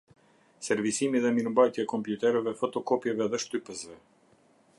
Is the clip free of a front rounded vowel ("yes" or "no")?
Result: no